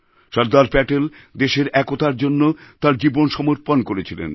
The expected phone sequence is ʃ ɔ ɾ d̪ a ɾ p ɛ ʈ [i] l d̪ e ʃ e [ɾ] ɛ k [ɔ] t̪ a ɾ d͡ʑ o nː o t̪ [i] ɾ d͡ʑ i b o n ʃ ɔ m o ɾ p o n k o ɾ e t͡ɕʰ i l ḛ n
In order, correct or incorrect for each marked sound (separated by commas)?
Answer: incorrect, correct, incorrect, incorrect